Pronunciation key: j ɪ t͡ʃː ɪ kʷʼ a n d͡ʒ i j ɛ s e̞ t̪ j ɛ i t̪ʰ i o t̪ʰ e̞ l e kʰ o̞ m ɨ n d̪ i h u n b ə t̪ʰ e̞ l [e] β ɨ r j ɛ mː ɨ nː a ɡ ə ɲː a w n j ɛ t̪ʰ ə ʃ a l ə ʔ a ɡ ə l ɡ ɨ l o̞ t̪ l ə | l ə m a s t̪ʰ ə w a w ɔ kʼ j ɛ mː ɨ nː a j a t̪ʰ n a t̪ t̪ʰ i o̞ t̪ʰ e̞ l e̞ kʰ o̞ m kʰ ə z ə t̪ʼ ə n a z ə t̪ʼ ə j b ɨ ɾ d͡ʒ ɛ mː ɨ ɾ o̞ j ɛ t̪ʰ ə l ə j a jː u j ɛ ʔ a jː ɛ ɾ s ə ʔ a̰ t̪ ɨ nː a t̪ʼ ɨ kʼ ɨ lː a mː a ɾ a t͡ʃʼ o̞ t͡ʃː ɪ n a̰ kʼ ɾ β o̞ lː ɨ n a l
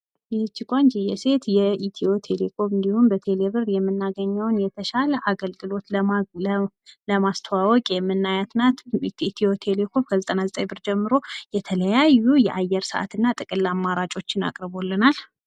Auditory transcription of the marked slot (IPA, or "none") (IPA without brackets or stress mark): e